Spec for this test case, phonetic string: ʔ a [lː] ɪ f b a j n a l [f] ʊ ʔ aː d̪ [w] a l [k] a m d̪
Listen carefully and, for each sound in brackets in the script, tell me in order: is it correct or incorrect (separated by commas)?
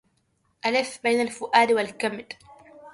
incorrect, correct, correct, correct